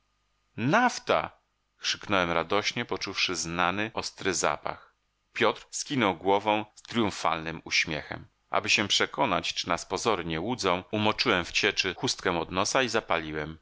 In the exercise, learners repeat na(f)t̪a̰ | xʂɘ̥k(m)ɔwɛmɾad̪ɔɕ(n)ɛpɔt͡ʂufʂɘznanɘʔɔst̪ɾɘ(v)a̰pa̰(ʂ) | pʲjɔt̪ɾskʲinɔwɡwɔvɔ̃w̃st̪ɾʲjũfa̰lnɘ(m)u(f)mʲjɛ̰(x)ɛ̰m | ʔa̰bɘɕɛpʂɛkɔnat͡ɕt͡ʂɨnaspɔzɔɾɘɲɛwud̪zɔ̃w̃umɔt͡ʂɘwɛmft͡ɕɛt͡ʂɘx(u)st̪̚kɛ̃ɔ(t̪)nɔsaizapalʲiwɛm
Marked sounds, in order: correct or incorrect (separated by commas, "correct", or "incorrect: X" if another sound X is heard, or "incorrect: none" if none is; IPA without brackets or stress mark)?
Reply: correct, incorrect: n, incorrect: ɲ, incorrect: z, incorrect: x, correct, incorrect: ɕ, correct, correct, incorrect: d̪